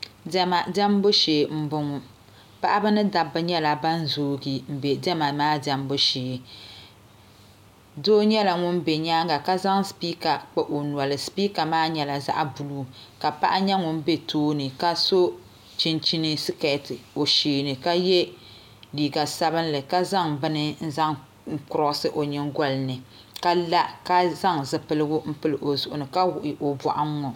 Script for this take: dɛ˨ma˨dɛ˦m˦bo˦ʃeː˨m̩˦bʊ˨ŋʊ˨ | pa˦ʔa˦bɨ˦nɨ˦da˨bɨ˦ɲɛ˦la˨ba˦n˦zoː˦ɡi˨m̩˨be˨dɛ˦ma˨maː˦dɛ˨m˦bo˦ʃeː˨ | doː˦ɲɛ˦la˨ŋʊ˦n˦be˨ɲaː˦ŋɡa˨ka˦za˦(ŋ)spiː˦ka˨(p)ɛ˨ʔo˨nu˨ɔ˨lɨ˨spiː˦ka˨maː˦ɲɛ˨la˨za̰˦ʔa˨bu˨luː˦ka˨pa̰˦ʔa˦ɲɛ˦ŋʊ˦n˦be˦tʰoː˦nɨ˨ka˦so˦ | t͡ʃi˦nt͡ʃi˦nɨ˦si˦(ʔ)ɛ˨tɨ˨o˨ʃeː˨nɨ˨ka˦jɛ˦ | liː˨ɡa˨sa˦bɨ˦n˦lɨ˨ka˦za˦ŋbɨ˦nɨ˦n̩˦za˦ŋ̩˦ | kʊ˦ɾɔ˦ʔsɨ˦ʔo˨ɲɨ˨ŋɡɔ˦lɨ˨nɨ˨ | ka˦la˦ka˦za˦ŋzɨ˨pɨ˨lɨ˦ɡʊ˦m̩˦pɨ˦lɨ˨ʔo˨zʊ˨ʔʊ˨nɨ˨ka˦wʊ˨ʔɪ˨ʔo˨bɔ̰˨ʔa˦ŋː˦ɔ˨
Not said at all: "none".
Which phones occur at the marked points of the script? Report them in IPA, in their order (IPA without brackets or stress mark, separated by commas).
ŋ, k͡p, k